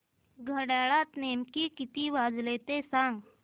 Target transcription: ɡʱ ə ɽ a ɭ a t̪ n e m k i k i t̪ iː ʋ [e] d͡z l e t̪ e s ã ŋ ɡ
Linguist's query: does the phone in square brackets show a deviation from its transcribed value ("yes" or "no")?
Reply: yes